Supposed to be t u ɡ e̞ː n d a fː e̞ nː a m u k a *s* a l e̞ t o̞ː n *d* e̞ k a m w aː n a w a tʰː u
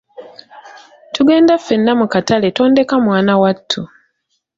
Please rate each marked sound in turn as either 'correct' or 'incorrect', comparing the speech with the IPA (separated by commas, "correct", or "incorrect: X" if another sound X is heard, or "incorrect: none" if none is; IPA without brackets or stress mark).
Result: incorrect: t, correct